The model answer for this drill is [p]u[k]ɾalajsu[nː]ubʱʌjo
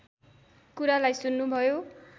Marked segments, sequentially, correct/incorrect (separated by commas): incorrect, incorrect, correct